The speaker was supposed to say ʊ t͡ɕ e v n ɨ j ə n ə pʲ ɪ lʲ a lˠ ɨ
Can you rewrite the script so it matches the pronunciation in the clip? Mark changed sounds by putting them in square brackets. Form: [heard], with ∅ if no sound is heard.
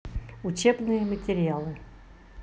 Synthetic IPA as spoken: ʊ t͡ɕ e [b] n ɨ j ə [m] ə [tʲ] ɪ [ɾʲ] a lˠ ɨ